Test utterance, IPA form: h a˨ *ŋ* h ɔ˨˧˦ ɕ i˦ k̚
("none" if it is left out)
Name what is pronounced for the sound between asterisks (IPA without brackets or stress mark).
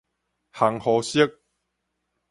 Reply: ŋ